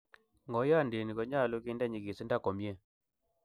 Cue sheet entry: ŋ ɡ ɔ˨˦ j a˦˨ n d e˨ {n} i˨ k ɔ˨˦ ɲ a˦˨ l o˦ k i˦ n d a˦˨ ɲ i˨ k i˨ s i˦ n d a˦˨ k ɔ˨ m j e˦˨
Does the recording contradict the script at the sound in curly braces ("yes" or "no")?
no